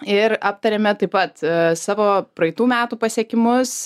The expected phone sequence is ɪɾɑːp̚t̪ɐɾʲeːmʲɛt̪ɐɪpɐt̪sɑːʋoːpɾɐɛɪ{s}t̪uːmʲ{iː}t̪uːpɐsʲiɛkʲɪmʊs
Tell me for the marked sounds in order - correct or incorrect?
incorrect, incorrect

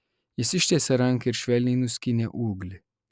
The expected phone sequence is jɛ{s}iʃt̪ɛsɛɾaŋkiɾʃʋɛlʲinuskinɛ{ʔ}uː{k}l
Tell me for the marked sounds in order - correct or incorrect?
correct, correct, incorrect

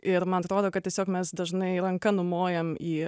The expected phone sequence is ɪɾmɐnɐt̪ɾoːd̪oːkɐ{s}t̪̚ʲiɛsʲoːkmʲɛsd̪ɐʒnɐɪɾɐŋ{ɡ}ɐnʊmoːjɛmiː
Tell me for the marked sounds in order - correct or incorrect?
incorrect, incorrect

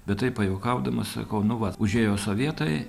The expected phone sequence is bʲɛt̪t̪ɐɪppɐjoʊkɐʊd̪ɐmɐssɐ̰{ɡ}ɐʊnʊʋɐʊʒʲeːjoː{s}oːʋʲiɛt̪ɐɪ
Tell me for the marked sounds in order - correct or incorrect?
incorrect, correct

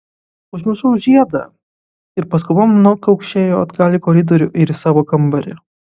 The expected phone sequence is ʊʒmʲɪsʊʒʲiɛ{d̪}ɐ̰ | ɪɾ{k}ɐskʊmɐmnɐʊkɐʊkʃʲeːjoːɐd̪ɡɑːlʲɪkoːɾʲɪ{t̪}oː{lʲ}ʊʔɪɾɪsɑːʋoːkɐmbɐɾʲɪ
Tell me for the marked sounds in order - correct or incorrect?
correct, incorrect, incorrect, incorrect

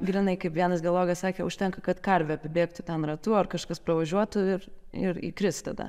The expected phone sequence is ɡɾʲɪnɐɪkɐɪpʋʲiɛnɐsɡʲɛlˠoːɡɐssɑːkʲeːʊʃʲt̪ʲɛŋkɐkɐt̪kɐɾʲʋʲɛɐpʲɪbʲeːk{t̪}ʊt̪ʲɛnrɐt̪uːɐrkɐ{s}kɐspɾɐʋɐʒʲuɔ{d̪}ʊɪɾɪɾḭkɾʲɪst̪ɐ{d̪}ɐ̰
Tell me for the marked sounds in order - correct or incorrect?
correct, incorrect, incorrect, correct

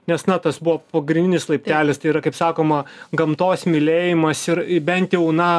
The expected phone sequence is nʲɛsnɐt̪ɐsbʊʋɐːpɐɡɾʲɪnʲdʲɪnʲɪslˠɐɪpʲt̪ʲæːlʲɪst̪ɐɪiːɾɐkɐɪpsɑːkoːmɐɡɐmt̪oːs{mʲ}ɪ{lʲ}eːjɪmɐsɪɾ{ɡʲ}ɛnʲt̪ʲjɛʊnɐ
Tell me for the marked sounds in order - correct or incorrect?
correct, correct, incorrect

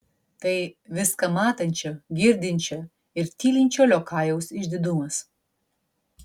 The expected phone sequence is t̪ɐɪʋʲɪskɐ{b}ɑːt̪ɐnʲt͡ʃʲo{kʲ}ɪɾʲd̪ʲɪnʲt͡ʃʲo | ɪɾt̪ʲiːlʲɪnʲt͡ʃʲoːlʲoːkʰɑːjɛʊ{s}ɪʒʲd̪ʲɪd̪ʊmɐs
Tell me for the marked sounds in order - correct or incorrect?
incorrect, incorrect, correct

